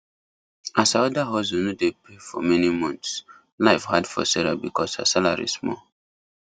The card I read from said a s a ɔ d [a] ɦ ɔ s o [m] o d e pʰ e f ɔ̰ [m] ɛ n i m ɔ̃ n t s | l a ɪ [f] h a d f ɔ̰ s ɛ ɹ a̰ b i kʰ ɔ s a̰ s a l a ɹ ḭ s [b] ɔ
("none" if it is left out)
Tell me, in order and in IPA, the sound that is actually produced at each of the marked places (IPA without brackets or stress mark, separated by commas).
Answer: a, n, m, f, m